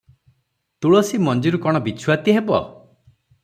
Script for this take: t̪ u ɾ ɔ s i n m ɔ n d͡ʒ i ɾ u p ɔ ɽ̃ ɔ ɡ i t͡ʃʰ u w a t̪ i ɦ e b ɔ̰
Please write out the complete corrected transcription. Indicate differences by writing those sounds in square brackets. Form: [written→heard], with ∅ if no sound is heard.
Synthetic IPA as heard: t̪ u [ɾ→ɭ] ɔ s i [n→∅] m ɔ n d͡ʒ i ɾ u [p→k] ɔ ɽ̃ ɔ [ɡ→b] i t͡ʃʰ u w a t̪ i ɦ e b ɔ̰